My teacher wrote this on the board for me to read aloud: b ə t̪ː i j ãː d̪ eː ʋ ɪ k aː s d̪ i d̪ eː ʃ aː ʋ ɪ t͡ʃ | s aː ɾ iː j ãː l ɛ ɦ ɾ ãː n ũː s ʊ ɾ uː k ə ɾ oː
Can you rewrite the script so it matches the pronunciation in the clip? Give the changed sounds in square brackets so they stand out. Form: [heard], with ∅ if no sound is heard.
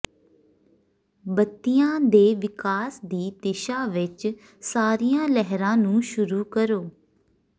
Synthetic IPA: b ə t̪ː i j ãː d̪ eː ʋ ɪ k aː s d̪ [iː] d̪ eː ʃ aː ʋ ɪ t͡ʃ | s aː ɾ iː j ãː l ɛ ɦ ɾ ãː n ũː [ʃ] ʊ ɾ uː k ə ɾ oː